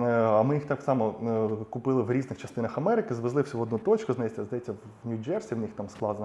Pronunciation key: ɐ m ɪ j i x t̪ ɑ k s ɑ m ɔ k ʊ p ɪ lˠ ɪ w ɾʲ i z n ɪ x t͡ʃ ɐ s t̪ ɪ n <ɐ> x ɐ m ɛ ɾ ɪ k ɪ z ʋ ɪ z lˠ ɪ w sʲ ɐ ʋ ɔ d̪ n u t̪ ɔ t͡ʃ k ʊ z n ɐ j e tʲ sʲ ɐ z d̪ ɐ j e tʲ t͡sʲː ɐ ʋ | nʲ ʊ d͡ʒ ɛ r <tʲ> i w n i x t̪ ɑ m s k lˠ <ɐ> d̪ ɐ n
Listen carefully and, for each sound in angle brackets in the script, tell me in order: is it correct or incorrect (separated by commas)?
correct, incorrect, incorrect